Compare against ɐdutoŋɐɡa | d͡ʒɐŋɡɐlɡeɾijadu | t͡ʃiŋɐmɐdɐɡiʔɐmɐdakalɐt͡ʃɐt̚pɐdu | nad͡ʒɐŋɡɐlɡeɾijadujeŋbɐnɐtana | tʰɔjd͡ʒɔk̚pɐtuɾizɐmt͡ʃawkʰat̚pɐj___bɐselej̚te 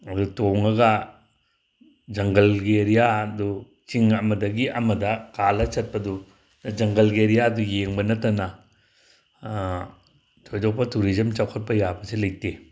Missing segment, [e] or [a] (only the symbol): a